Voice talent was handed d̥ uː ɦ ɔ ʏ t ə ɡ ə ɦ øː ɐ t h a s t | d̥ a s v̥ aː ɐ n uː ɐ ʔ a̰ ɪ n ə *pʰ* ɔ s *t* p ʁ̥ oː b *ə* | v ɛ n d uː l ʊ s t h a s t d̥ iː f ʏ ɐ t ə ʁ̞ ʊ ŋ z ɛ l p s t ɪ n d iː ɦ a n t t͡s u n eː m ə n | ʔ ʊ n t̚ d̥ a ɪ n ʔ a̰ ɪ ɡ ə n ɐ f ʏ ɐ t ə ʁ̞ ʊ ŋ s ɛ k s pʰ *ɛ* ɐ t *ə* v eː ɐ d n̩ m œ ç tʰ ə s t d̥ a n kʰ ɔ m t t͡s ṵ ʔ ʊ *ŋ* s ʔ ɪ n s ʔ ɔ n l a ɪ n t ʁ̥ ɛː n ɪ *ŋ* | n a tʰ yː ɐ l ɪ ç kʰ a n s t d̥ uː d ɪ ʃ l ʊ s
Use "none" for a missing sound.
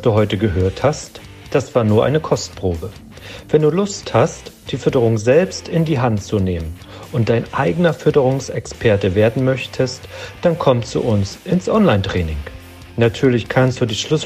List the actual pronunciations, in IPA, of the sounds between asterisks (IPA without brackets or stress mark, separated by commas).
kʰ, t, ə, ɛ, ə, n, ŋ